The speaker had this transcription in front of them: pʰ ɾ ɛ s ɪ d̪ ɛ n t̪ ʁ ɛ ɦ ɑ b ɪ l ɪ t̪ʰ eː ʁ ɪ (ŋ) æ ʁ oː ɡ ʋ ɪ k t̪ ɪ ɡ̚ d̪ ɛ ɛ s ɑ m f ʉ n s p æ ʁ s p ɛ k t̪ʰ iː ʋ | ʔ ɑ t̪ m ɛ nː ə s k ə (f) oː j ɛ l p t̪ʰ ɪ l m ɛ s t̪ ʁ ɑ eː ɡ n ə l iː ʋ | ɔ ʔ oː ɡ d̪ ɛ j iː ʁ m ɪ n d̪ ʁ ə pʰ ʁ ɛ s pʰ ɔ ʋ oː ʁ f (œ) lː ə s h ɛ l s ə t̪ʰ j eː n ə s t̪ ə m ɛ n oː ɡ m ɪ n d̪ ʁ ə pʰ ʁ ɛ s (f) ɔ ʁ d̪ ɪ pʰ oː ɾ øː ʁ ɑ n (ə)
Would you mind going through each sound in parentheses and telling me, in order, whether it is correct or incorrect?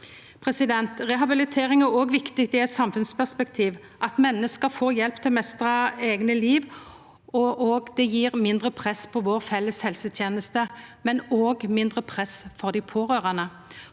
correct, correct, incorrect: ɛ, correct, correct

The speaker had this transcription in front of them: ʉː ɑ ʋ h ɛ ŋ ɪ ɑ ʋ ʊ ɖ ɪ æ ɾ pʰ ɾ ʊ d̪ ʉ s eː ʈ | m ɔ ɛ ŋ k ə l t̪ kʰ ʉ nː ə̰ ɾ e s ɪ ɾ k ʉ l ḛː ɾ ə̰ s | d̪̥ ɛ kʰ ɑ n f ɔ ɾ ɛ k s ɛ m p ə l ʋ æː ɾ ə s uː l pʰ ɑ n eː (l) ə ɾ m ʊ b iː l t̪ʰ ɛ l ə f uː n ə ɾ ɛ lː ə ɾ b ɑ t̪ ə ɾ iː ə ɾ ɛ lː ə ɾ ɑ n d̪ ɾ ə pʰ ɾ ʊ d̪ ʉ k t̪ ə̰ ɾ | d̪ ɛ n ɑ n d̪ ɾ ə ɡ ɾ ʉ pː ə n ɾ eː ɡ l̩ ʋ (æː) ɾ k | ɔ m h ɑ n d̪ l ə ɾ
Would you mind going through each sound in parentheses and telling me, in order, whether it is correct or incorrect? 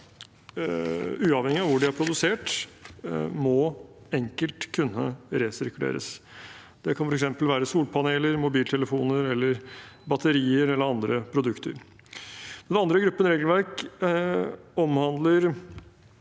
correct, incorrect: æ

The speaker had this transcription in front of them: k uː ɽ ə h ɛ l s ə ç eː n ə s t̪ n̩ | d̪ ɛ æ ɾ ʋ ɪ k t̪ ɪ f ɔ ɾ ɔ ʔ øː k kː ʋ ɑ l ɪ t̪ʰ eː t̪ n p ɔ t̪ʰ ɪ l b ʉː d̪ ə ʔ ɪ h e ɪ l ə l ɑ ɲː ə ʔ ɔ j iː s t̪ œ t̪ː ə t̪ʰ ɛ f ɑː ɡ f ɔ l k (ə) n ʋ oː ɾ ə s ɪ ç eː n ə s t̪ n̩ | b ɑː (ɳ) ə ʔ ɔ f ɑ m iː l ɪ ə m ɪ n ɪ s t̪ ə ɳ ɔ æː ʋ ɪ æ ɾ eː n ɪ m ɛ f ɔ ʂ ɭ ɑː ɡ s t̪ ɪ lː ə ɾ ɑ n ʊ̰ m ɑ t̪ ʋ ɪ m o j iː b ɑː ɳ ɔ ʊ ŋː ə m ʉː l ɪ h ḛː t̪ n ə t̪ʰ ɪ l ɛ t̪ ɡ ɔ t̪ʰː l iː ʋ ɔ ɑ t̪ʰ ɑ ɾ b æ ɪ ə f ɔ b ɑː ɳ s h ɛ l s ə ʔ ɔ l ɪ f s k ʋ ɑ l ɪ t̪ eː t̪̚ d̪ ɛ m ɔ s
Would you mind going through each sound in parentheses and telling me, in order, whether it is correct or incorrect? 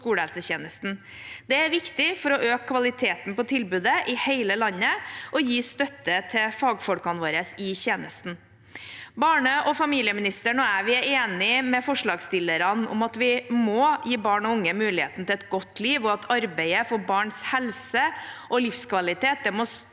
incorrect: ɑ, correct

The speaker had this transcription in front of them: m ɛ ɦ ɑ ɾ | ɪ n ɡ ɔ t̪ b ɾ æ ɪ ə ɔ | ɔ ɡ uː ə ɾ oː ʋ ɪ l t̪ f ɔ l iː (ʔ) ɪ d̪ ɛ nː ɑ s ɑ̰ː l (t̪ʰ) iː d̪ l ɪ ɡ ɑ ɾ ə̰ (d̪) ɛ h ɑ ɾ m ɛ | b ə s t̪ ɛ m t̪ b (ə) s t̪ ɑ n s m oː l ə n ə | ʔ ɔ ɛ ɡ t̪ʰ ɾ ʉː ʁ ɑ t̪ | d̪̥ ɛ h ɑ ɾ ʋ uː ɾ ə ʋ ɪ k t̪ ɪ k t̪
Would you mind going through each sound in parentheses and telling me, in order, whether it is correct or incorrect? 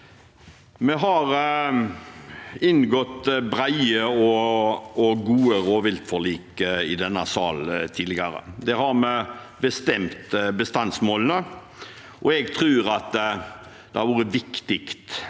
incorrect: k, correct, correct, correct

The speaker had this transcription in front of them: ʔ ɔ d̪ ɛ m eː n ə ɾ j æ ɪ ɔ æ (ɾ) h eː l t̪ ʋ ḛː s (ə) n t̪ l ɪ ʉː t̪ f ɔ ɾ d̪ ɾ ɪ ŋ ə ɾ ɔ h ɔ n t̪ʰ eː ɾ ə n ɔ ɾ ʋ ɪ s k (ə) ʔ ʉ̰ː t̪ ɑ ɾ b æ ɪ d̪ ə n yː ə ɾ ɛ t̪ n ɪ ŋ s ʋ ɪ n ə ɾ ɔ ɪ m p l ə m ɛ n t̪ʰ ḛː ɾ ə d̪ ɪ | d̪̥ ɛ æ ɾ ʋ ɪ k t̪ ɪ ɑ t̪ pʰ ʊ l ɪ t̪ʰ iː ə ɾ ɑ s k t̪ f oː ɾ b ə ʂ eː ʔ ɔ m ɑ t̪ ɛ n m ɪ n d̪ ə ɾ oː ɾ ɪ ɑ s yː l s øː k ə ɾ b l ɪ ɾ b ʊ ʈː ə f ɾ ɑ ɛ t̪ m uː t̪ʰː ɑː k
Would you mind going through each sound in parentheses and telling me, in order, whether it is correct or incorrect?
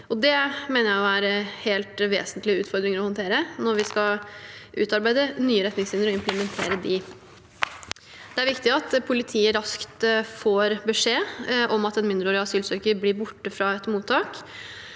correct, correct, incorrect: ɑ

